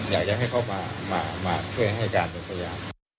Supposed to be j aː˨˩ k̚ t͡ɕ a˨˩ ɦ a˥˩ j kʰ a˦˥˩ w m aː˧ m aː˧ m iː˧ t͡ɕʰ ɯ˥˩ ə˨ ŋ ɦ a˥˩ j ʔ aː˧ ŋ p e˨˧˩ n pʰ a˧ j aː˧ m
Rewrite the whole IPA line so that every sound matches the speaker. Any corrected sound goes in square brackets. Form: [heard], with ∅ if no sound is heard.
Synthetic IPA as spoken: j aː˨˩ k̚ t͡ɕ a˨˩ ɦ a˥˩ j kʰ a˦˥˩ w m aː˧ m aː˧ m [aː˧] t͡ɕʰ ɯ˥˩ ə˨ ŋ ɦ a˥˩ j [k] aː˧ [n] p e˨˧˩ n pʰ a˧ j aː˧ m

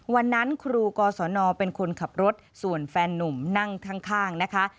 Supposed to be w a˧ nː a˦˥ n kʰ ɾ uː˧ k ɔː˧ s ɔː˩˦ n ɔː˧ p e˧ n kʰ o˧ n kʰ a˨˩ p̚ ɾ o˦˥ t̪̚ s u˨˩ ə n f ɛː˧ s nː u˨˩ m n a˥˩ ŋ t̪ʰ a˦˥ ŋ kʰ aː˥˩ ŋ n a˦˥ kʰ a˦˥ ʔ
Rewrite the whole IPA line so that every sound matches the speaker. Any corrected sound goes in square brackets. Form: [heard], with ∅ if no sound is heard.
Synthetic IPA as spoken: w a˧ nː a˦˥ n kʰ ɾ uː˧ k ɔː˧ s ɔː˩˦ n ɔː˧ p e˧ n kʰ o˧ n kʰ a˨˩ p̚ ɾ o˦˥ t̪̚ s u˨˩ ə n f ɛː˧ [∅] nː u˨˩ m n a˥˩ ŋ t̪ʰ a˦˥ ŋ kʰ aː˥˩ ŋ n a˦˥ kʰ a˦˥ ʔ

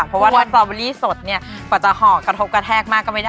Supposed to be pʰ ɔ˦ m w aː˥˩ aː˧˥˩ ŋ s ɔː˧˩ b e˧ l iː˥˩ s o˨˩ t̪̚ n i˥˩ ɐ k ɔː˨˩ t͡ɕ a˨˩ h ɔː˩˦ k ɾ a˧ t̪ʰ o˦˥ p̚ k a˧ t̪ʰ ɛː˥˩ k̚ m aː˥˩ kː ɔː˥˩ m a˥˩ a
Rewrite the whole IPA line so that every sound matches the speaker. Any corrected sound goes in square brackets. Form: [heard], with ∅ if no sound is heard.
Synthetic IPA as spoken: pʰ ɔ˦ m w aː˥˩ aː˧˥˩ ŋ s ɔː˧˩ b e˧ l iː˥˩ s o˨˩ t̪̚ n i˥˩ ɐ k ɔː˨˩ t͡ɕ a˨˩ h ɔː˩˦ k ɾ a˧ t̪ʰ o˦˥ p̚ k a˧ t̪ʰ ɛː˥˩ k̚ m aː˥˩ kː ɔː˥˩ m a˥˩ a

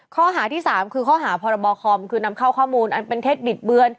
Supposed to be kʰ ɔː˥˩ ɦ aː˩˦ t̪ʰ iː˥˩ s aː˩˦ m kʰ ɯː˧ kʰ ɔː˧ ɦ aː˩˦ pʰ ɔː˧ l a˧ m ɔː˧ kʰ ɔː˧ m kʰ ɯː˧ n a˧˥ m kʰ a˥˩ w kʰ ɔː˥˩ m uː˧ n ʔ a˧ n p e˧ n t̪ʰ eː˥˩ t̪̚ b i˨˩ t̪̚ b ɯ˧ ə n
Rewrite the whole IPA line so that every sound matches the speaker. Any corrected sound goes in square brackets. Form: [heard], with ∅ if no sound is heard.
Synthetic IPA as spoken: kʰ ɔː˥˩ ɦ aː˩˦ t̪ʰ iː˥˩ s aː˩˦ m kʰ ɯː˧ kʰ [ɔː˥˩] ɦ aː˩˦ pʰ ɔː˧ [ɾ] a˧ [b] ɔː˧ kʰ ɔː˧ m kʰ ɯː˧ n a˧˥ m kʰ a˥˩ w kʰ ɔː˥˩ m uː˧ n ʔ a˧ n p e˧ n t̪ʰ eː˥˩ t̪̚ b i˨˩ t̪̚ b ɯ˧ ə n

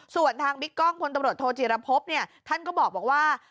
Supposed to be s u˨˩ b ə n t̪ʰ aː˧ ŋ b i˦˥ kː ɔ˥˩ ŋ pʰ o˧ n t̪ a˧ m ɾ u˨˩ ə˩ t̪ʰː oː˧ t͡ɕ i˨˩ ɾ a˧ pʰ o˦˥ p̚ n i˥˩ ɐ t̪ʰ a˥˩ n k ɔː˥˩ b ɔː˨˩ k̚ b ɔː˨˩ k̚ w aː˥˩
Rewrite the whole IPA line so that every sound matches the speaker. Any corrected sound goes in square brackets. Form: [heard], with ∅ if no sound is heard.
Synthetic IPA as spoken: s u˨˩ [∅] ə n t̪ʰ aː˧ ŋ b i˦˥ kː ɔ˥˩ ŋ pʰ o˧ n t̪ a˧ m ɾ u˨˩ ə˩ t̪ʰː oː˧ t͡ɕ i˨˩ ɾ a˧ pʰ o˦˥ p̚ n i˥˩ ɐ t̪ʰ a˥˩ n k ɔː˥˩ b ɔː˨˩ k̚ b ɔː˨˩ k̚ w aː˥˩

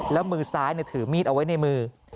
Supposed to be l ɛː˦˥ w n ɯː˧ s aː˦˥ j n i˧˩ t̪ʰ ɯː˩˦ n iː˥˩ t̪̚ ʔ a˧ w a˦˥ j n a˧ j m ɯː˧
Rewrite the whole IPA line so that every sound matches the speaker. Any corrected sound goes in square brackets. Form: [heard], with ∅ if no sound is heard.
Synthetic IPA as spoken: l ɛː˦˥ w [m] ɯː˧ s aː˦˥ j n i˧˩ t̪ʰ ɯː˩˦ [m] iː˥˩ t̪̚ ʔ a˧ w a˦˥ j n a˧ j m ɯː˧

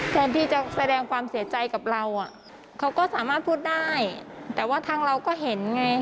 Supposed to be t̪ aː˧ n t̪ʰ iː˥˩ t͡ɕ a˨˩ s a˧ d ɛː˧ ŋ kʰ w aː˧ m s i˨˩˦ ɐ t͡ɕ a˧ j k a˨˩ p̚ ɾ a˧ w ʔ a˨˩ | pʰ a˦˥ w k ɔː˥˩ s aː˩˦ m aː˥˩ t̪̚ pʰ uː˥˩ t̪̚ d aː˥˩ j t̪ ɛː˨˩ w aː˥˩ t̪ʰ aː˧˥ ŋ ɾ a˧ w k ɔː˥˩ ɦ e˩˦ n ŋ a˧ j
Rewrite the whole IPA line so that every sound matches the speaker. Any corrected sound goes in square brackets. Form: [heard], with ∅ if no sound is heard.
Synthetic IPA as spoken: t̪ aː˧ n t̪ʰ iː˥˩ t͡ɕ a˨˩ s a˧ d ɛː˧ ŋ kʰ w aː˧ m s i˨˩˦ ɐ t͡ɕ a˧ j k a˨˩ p̚ ɾ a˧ w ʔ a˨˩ | [kʰ] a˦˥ w k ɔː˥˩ s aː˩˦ m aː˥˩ t̪̚ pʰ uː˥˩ t̪̚ d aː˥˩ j t̪ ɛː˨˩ w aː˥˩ t̪ʰ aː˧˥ ŋ ɾ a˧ w k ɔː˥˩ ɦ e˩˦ n ŋ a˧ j

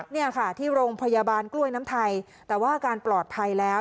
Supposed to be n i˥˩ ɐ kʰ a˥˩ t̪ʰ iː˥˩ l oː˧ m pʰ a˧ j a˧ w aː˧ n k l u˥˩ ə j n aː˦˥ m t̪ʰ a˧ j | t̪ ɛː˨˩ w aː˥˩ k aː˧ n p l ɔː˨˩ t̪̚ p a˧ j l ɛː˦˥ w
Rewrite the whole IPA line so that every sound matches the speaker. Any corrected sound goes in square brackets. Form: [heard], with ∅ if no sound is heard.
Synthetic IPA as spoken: n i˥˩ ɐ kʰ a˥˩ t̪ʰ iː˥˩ [ɾ] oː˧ [ŋ] pʰ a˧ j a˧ [b] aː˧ n k l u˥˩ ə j n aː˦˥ m t̪ʰ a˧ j | t̪ ɛː˨˩ w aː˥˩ k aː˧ n p l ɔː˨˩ t̪̚ [pʰ] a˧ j l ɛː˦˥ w

